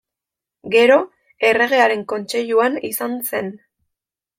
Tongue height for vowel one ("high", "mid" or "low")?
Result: mid